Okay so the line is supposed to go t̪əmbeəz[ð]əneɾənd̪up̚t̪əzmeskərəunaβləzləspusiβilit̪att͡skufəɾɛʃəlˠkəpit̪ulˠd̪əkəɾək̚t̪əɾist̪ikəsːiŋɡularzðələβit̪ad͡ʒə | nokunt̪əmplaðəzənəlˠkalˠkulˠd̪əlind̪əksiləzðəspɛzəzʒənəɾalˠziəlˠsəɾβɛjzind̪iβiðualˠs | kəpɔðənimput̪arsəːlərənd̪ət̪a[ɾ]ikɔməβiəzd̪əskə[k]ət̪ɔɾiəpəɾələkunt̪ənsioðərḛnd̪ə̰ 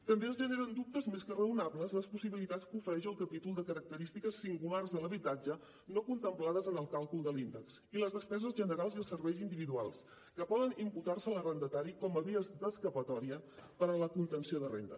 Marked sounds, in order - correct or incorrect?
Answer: incorrect: ʒ, correct, incorrect: p

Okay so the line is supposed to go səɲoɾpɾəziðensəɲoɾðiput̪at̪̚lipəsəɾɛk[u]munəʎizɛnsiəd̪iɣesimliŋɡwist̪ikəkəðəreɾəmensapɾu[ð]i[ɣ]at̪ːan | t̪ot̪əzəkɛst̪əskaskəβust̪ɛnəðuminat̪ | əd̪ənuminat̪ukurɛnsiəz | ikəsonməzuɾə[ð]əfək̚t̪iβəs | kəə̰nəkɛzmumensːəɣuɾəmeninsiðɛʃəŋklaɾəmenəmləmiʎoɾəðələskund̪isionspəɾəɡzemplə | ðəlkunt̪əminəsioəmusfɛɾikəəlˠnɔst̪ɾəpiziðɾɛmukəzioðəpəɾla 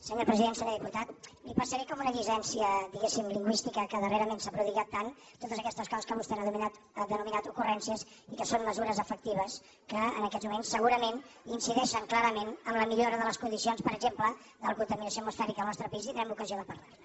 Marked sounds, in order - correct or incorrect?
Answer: incorrect: ɔ, correct, correct, incorrect: z

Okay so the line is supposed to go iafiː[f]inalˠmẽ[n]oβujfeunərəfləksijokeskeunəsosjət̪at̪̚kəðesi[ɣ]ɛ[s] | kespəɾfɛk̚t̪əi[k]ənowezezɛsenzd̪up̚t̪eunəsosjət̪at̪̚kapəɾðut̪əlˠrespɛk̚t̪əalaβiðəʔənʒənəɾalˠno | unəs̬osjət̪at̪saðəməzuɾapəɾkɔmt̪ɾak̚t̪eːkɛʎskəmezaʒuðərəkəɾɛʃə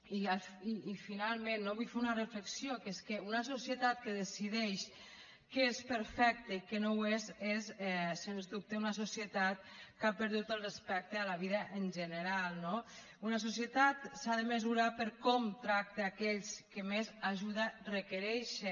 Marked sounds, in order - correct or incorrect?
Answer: correct, incorrect: nː, incorrect: ð, incorrect: ʃ, correct

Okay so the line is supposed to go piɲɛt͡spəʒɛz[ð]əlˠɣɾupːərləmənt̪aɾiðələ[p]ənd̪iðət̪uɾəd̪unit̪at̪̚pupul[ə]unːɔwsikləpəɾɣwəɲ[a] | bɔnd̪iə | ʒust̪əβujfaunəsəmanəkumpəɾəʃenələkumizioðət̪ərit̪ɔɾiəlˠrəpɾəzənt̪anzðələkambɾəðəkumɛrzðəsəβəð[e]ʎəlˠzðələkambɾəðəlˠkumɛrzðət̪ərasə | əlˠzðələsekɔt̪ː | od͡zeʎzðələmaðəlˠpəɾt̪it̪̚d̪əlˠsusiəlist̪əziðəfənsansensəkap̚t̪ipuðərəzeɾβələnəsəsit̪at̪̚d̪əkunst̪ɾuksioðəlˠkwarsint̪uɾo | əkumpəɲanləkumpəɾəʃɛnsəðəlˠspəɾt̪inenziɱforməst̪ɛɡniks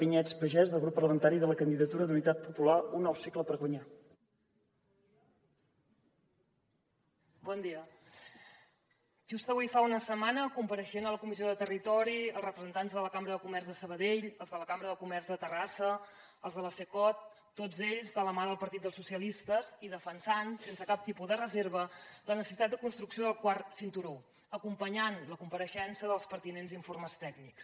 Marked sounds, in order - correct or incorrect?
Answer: correct, incorrect: k, incorrect: a, correct, correct

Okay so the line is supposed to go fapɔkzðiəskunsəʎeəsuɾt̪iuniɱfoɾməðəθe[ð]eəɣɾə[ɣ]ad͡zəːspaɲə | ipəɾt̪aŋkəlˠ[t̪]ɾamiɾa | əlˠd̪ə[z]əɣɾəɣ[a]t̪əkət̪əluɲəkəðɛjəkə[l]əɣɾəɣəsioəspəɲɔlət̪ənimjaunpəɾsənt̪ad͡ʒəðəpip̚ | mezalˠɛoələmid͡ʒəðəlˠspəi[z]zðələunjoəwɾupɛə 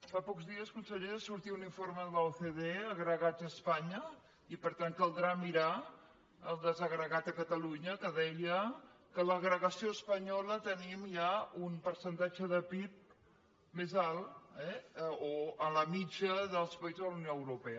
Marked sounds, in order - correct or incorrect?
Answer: correct, correct, incorrect: d̪, correct, correct, correct, correct

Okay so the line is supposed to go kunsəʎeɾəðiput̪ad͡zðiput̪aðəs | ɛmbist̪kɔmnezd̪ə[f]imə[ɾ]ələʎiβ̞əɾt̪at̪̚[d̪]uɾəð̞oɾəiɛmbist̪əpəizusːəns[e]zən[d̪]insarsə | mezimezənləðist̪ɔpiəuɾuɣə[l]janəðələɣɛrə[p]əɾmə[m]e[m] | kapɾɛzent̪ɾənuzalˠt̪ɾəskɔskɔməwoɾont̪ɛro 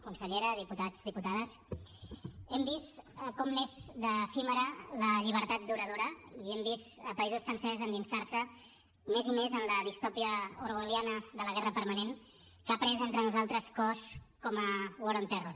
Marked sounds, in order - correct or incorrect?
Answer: correct, correct, correct, incorrect: ɛ, correct, correct, correct, incorrect: n, incorrect: n

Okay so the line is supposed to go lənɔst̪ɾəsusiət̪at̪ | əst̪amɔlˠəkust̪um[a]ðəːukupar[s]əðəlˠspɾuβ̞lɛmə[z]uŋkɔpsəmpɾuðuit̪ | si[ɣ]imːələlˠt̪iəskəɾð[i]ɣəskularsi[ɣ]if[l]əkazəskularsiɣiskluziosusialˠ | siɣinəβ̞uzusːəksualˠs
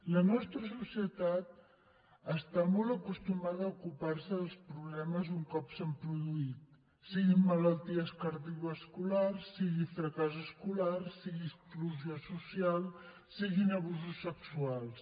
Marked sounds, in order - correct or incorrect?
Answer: correct, correct, correct, correct, correct, correct, incorrect: ɾ

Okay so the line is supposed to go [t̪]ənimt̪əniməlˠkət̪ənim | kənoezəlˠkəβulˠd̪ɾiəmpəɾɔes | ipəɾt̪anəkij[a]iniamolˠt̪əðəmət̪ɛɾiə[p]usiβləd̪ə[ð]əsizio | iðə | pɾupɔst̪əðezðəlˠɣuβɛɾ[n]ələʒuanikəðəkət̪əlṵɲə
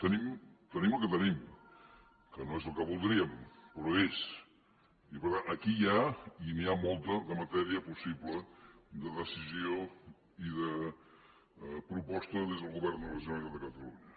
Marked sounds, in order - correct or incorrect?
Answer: correct, correct, correct, correct, correct

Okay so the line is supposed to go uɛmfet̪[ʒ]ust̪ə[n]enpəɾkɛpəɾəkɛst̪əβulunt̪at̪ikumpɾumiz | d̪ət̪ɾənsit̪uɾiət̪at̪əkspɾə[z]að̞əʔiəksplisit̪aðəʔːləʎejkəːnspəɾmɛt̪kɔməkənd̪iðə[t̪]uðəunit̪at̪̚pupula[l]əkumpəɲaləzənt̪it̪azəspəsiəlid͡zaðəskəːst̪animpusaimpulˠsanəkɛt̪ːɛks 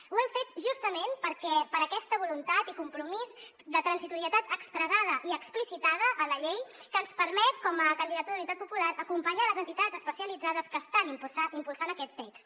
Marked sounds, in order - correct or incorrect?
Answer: correct, incorrect: m, correct, correct, incorrect: ɾ

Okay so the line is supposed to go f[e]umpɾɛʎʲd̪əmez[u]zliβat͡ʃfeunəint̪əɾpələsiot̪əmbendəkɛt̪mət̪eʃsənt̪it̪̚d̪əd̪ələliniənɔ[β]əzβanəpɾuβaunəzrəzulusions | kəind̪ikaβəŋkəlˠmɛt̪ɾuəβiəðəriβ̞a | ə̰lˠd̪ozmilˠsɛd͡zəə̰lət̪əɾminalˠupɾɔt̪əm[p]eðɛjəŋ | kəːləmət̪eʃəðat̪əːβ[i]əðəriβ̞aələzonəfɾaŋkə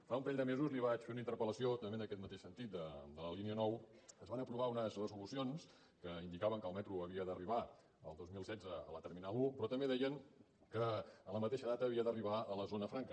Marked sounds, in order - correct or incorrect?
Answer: incorrect: a, correct, incorrect: w, incorrect: b, correct

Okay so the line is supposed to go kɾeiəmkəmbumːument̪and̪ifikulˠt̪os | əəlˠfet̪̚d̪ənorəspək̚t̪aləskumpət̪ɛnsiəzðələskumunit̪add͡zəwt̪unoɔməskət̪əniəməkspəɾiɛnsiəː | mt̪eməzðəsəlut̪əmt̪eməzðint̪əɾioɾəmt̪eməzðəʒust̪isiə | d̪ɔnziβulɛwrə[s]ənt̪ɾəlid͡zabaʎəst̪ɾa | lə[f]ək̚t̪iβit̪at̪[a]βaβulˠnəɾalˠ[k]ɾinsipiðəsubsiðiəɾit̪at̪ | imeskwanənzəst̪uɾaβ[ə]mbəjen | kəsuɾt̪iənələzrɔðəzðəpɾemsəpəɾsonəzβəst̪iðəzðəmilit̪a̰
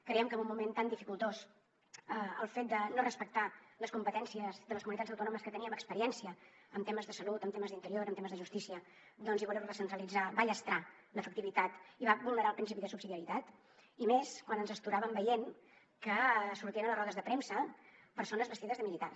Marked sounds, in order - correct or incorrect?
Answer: correct, correct, incorrect: i, incorrect: p, correct

